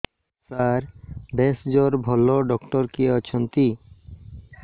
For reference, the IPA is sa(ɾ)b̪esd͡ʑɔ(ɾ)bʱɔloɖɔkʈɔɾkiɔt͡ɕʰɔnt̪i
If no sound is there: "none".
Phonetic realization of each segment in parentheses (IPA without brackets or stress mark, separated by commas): ɾ, ɾ